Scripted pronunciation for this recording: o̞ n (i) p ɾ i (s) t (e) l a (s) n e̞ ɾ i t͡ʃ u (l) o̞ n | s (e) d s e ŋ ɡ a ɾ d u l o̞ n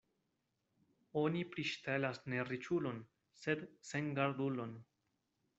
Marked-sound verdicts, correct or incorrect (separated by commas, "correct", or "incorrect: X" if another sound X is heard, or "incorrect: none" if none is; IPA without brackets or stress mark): correct, incorrect: ʃ, correct, correct, correct, correct